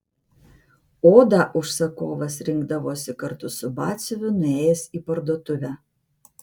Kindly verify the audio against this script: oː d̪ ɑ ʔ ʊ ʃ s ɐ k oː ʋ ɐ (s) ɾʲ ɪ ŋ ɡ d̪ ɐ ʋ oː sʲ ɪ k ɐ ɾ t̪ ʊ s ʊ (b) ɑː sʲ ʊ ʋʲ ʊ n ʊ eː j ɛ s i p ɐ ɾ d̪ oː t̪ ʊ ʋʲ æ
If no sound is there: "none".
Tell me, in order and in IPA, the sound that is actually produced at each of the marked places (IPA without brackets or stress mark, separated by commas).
s, b